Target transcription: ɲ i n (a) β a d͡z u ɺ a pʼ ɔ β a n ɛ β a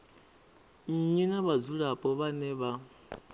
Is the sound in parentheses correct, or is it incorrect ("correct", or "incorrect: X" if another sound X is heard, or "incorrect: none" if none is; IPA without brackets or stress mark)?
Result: correct